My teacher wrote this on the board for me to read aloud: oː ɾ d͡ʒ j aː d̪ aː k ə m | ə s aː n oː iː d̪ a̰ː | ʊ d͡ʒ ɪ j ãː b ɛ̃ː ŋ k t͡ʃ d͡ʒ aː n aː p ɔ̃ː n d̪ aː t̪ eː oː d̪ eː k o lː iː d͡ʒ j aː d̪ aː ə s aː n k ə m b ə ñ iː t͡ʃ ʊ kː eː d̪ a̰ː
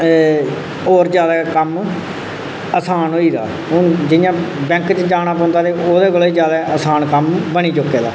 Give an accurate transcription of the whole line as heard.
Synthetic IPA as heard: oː ɾ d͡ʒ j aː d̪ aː k ə m | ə s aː n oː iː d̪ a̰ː | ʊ d͡ʒ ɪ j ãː b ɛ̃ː ŋ k t͡ʃ d͡ʒ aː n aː p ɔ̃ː n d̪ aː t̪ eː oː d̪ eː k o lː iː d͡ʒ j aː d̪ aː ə s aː n k ə m b ə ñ iː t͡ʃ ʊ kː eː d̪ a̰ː